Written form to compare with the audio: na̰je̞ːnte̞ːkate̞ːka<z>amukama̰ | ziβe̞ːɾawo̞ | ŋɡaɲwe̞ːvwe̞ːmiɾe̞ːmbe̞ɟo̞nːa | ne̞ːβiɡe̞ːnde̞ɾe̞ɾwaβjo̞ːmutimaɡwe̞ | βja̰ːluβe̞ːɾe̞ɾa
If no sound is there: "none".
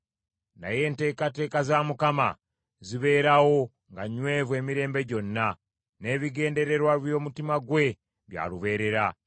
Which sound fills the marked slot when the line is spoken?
z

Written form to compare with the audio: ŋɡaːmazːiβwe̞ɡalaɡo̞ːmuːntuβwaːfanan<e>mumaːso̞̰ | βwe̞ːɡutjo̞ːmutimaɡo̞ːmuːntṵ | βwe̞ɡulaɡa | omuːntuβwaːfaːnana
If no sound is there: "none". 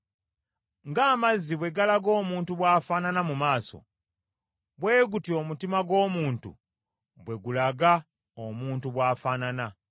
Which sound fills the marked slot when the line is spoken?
a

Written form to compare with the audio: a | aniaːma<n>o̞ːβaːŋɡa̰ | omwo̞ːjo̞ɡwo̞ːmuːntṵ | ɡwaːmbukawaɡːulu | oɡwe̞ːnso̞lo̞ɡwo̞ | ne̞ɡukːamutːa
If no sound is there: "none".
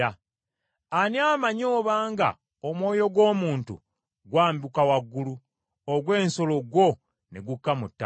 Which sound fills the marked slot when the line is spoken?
ɲ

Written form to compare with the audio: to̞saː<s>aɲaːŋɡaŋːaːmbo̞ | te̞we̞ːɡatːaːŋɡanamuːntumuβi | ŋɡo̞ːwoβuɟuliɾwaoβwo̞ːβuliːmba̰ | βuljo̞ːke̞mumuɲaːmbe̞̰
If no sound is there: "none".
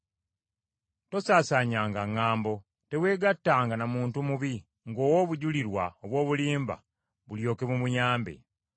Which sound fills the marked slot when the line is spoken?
s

